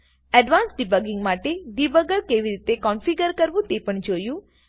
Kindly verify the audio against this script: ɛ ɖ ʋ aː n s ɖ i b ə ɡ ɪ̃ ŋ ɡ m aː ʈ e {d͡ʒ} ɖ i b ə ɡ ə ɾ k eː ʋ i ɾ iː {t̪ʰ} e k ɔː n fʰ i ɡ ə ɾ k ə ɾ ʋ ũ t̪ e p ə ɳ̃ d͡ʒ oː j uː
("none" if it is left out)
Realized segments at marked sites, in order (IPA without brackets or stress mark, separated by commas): none, t̪